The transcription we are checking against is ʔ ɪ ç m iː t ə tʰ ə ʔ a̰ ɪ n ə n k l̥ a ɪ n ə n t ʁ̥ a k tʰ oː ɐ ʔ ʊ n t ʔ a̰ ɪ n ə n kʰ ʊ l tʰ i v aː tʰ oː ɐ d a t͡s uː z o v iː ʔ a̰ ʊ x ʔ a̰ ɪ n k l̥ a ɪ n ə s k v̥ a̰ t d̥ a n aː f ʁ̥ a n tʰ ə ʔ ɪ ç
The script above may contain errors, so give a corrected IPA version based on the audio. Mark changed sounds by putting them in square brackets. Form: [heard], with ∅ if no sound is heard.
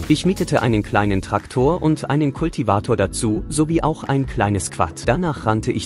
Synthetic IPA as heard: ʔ ɪ ç m iː t ə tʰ ə ʔ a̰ ɪ n ə n k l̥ a ɪ n ə n t ʁ̥ a k tʰ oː ɐ ʔ ʊ n t ʔ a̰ ɪ n ə n kʰ ʊ l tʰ i v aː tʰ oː ɐ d a t͡s uː z o v iː ʔ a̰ ʊ x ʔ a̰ ɪ n k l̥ a ɪ n ə s k v̥ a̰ t d̥ a n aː [χ] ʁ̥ a n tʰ ə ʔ ɪ ç